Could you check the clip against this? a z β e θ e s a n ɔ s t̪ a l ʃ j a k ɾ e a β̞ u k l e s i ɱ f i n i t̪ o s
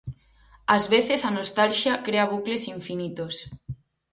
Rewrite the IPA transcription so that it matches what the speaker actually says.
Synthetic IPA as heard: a z β e θ e s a n o s t̪ a l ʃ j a k ɾ e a β̞ u k l e s i ɱ f i n i t̪ o s